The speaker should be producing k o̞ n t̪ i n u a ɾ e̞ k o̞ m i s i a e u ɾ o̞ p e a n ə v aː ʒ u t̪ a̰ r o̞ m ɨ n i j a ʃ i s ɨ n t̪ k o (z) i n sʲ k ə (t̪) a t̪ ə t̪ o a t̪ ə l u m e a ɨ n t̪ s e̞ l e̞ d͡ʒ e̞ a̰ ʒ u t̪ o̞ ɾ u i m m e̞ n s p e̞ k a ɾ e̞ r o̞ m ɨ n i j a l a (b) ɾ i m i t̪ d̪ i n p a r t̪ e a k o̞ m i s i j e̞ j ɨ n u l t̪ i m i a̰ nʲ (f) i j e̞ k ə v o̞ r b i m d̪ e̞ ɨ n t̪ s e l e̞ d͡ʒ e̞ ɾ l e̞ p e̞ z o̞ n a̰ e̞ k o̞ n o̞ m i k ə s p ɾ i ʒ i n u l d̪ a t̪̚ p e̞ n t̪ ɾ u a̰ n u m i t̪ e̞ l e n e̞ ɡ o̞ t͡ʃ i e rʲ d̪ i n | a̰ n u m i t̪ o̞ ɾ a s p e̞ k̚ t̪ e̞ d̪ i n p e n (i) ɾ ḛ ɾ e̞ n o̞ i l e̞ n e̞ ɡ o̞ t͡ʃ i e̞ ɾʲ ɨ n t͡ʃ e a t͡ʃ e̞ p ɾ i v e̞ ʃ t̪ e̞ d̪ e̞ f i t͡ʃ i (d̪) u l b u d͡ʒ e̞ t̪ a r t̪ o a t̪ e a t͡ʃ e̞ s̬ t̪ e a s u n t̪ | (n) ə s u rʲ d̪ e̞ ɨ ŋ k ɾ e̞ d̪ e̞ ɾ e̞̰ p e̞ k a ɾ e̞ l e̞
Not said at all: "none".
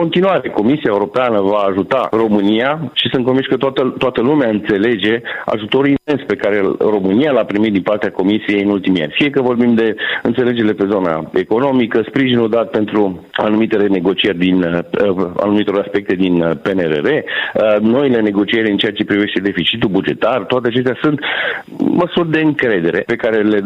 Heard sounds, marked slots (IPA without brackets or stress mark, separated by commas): v, t̪, p, f, e, t̪, m